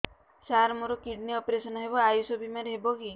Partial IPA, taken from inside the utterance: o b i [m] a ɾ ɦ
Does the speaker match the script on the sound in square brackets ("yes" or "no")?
yes